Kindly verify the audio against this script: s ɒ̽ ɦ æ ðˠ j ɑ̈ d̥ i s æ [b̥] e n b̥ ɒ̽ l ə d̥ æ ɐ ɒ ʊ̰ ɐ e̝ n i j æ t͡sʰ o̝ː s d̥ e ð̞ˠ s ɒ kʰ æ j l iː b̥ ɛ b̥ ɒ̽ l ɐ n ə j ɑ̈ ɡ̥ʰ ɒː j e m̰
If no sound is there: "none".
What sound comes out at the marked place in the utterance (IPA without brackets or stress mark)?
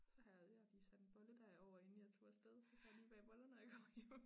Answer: d̥